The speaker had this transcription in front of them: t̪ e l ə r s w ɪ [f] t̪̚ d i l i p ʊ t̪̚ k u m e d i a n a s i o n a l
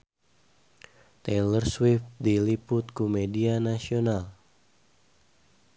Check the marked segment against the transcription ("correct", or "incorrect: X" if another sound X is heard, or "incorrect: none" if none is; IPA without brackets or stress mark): correct